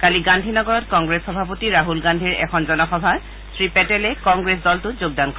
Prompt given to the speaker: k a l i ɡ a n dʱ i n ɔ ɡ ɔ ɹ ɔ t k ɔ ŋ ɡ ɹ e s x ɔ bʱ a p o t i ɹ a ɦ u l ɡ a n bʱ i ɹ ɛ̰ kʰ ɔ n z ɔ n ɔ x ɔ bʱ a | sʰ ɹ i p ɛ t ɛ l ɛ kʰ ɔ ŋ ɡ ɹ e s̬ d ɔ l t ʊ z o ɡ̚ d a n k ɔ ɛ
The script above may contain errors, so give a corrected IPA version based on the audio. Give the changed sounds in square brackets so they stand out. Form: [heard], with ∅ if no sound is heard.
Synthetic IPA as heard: k a l i ɡ a n dʱ i n ɔ ɡ ɔ ɹ ɔ t k ɔ ŋ ɡ ɹ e s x ɔ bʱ a p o t i ɹ a ɦ u l ɡ a n [dʱ] i ɹ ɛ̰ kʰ ɔ n z ɔ n ɔ x ɔ bʱ a | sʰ ɹ i p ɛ t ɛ l ɛ [k] ɔ ŋ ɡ ɹ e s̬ d ɔ l t ʊ z o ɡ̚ d a n k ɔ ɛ